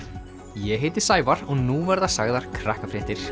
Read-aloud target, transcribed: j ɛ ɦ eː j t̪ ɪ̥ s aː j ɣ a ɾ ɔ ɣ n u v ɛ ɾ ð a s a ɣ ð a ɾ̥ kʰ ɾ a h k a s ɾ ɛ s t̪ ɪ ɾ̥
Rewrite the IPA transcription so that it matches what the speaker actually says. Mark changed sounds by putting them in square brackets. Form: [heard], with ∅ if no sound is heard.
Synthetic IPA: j ɛ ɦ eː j t̪ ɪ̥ s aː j [v] a ɾ ɔ ɣ n u v ɛ ɾ ð a s a ɣ ð a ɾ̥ kʰ ɾ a h k a [f] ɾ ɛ [h] t̪ ɪ ɾ̥